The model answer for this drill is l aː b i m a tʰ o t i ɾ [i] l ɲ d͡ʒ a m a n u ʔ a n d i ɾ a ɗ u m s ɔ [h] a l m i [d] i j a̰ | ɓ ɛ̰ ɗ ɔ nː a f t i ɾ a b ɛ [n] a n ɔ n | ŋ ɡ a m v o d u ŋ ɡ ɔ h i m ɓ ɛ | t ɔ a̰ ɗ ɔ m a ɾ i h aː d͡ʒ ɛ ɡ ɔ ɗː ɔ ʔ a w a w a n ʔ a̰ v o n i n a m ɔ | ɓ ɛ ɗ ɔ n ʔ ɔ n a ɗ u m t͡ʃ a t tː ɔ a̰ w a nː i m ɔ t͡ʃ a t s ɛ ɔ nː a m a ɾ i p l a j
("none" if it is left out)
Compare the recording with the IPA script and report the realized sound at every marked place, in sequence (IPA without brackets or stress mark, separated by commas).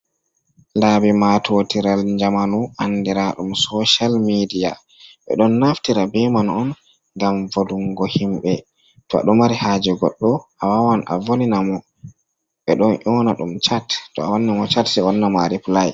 a, ʃ, d, m